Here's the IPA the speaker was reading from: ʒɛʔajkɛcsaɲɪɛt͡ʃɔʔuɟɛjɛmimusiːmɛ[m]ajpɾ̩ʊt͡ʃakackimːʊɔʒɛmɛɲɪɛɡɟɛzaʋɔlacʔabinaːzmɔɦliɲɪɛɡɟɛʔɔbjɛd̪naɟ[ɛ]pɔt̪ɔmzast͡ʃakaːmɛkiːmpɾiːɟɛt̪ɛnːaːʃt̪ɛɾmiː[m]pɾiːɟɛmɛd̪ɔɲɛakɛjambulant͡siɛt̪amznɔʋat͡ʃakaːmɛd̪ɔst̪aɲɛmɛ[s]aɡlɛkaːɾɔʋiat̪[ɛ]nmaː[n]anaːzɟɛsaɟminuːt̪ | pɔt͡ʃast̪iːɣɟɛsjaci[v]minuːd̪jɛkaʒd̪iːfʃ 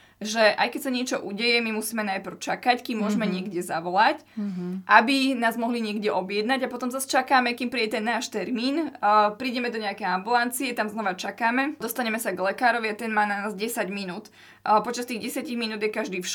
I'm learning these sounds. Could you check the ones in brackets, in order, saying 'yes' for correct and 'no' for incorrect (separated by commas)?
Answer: no, no, no, yes, yes, yes, no